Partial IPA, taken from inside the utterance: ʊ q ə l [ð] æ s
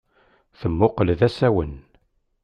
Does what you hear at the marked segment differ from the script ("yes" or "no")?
no